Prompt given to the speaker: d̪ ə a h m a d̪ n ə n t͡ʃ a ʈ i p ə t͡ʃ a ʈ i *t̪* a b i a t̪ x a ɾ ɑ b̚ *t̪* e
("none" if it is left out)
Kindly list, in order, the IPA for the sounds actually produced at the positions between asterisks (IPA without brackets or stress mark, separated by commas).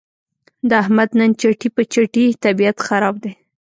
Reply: t̪, d̪